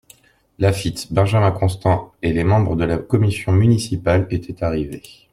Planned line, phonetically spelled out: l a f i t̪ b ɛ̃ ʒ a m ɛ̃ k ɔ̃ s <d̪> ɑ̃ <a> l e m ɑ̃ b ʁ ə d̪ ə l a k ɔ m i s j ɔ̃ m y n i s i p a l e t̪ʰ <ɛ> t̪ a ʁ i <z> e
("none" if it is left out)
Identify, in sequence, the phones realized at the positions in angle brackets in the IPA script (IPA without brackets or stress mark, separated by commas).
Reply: t̪, e, ɛ, v